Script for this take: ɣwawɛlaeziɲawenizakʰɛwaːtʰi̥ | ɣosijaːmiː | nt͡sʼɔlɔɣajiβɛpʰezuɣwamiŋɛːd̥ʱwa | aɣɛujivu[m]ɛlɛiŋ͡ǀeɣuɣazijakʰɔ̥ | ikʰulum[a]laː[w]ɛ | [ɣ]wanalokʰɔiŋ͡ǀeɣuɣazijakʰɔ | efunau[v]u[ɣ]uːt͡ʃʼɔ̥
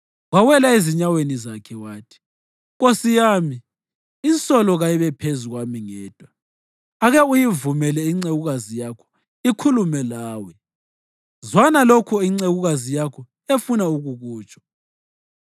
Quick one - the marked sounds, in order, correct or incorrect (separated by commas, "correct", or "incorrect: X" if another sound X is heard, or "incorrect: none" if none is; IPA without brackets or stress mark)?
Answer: correct, incorrect: ɛ, correct, incorrect: z, incorrect: ɣ, correct